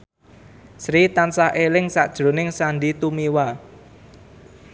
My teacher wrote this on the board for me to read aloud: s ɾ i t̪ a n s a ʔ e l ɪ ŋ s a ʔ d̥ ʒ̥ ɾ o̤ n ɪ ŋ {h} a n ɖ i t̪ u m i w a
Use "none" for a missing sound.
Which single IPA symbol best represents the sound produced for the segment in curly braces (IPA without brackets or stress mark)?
s